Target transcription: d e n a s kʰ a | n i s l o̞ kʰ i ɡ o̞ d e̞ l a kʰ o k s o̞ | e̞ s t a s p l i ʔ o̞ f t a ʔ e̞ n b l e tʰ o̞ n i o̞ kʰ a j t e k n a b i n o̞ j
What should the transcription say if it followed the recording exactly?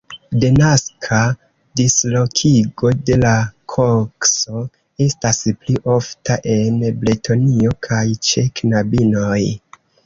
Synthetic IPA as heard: d e n a s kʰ a | d i s l o̞ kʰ i ɡ o̞ d e̞ l a kʰ o k s o̞ | e̞ s t a s p l i ʔ o̞ f t a ʔ e̞ n b l e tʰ o̞ n i o̞ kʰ a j t͡ʃ e k n a b i n o̞ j

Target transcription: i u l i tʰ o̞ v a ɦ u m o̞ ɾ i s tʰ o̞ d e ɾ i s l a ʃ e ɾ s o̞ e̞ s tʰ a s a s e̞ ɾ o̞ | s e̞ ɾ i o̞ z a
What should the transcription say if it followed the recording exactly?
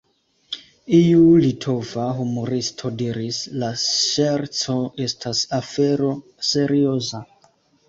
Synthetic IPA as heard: i u l i tʰ o̞ v a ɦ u m o̞ ɾ i s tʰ o̞ d i ɾ i s l a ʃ e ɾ t͡s o̞ e̞ s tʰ a s a f e̞ ɾ o̞ | s e̞ ɾ i o̞ z a

